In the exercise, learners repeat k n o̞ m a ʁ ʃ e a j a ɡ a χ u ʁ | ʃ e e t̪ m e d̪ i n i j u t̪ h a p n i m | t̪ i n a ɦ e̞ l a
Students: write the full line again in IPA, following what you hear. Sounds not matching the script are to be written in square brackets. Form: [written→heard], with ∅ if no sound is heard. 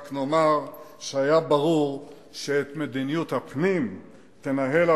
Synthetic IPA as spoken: k n o̞ m a ʁ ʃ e a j a [ɡ→b] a [χ→ʁ] u ʁ | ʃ e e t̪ m e d̪ i n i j u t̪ h a p n i m | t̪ [i→e] n a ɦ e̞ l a